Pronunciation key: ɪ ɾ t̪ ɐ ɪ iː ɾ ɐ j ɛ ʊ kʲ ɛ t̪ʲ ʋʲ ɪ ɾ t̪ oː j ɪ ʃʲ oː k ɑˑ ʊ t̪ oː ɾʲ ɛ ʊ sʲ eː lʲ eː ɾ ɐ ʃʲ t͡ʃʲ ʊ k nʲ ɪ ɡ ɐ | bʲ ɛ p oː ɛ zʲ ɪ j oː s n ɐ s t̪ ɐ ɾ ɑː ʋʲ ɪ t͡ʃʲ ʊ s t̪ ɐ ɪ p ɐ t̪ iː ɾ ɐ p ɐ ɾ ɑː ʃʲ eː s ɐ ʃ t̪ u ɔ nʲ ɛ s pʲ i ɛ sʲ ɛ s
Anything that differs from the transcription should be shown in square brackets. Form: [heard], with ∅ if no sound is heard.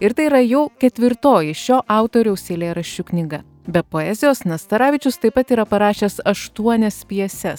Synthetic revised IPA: ɪ ɾ t̪ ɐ ɪ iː ɾ ɐ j ɛ ʊ kʲ ɛ t̪ʲ ʋʲ ɪ ɾ t̪ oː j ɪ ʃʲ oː [ʔ] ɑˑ ʊ t̪ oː ɾʲ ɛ ʊ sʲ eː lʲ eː ɾ ɐ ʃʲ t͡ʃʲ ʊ k nʲ ɪ ɡ ɐ | bʲ ɛ p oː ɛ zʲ ɪ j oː s n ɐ s t̪ ɐ ɾ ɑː ʋʲ ɪ t͡ʃʲ ʊ s t̪ ɐ ɪ p ɐ t̪ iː ɾ ɐ p ɐ ɾ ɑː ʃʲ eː s ɐ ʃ t̪ u ɔ nʲ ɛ s pʲ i ɛ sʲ ɛ s